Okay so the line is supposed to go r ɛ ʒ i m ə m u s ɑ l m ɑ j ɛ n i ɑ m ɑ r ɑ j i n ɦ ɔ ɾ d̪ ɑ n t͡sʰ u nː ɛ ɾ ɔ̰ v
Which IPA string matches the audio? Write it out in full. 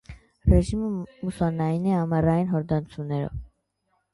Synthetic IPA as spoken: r ɛ ʒ i m ə m u s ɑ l n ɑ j i n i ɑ m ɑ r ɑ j i n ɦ ɔ ɾ d̪ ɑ n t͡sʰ u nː ɛ ɾ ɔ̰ v